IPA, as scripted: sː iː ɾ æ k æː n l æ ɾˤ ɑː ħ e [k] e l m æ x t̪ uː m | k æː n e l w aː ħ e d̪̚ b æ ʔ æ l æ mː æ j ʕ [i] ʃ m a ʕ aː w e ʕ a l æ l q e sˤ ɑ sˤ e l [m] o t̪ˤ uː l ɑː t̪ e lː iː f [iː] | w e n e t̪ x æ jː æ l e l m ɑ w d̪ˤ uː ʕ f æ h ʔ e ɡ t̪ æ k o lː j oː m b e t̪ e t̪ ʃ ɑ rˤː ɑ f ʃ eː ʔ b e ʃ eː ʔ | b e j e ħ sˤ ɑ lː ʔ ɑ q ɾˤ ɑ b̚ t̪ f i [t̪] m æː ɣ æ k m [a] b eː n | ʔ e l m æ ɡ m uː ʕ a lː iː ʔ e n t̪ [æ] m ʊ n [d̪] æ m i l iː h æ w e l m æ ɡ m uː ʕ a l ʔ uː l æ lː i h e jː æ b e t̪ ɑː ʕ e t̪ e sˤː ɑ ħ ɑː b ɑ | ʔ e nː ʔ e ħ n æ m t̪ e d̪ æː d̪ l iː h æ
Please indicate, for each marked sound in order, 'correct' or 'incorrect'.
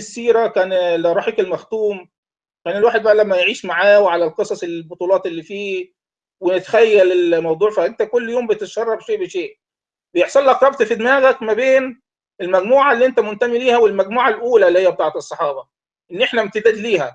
correct, incorrect: iː, incorrect: b, correct, incorrect: d̪, incorrect: æ, correct, incorrect: t̪

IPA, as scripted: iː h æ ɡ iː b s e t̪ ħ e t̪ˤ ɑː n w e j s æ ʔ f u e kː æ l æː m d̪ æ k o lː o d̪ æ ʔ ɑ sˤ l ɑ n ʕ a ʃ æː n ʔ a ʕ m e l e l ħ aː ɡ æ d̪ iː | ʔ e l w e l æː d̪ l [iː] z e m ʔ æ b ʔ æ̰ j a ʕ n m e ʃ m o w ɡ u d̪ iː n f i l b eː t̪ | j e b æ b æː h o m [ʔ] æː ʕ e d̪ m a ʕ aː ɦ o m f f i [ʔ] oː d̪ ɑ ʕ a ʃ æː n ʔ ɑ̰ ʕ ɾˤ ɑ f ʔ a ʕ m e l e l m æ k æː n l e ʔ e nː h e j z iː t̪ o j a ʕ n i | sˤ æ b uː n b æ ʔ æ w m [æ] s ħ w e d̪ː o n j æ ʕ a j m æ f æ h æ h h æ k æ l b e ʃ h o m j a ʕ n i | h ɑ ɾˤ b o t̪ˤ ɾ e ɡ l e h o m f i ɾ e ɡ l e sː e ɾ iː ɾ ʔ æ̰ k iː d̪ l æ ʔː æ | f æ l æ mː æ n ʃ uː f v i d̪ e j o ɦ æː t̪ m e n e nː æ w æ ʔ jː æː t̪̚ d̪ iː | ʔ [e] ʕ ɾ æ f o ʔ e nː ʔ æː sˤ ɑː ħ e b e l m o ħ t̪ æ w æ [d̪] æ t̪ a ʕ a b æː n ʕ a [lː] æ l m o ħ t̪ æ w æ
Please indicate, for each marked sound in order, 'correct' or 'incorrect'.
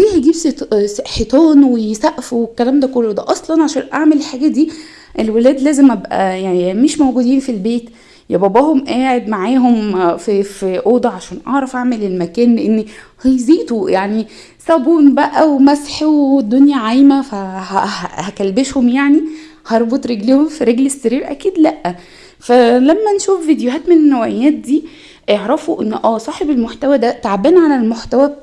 incorrect: æː, correct, correct, correct, correct, correct, incorrect: l

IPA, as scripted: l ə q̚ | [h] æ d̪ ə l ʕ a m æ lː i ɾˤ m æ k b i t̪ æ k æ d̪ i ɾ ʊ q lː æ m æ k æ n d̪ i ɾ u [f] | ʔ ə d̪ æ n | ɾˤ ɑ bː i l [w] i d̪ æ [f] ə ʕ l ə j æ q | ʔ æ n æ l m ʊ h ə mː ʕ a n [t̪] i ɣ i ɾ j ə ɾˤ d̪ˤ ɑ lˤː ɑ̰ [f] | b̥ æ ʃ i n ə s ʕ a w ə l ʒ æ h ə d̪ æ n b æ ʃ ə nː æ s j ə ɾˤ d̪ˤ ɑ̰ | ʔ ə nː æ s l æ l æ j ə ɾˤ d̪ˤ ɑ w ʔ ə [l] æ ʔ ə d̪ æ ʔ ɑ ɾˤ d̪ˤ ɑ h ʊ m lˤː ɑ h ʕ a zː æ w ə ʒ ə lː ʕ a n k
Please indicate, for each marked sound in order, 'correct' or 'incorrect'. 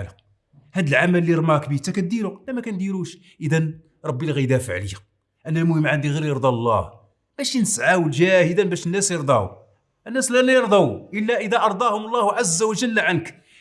correct, incorrect: ʃ, incorrect: ɣ, correct, incorrect: d̪, incorrect: h, incorrect: lː

